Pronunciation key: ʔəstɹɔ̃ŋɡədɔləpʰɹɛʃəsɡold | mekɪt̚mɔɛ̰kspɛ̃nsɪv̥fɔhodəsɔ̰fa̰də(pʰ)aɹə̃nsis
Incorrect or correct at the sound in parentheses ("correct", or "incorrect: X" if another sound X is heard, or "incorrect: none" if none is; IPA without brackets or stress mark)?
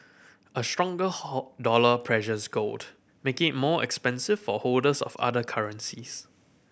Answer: incorrect: kʰ